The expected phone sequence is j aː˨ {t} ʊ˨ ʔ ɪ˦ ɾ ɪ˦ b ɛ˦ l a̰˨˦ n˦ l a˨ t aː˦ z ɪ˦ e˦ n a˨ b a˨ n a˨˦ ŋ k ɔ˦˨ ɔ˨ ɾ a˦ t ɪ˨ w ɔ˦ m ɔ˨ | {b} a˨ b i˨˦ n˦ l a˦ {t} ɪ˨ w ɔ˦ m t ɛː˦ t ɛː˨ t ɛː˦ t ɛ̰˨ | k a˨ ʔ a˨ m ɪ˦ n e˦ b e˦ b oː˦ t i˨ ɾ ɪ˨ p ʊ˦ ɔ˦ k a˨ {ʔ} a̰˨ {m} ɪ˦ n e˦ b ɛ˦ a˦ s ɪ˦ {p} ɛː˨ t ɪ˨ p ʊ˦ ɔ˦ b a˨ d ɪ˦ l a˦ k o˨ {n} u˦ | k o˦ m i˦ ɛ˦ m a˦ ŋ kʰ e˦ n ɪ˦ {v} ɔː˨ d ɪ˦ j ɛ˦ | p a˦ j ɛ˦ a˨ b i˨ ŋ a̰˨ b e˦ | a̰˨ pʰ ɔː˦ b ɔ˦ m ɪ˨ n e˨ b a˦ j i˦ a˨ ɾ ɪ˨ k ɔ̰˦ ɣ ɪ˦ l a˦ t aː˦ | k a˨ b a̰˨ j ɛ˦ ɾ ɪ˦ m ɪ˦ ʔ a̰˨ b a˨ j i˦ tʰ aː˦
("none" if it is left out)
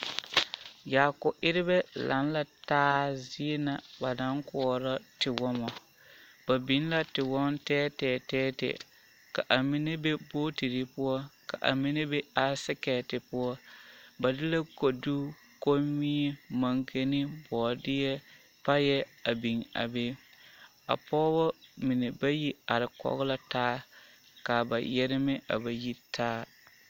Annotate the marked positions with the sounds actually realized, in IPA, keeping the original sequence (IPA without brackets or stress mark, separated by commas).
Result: k, b, t, ʔ, m, k, d, b